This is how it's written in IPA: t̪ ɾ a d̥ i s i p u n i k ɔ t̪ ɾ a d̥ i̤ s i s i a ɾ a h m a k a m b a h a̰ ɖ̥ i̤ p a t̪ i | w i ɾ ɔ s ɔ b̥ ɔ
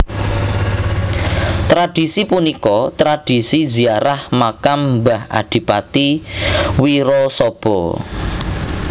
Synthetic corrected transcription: t̪ ɾ a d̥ i s i p u n i k ɔ t̪ ɾ a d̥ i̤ s i z i a ɾ a h m a k a m b a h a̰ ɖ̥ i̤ p a t̪ i | w i ɾ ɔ s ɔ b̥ ɔ